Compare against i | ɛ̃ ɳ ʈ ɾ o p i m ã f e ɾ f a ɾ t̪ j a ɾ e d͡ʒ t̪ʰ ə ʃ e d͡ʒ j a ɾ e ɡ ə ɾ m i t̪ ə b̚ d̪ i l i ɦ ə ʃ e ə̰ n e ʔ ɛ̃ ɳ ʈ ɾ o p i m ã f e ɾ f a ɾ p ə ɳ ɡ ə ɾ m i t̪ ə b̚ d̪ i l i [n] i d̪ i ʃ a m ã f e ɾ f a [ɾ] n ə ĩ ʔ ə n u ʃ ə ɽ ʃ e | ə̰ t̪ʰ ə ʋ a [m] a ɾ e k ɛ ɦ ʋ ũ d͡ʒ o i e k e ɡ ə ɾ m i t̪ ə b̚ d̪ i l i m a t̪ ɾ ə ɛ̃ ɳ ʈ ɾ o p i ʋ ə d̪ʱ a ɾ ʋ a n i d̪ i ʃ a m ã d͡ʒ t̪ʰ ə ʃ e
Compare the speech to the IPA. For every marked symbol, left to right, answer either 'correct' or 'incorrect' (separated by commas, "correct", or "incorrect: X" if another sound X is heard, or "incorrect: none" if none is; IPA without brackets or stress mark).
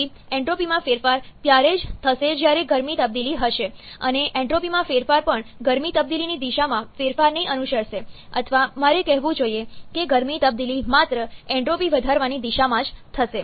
correct, correct, correct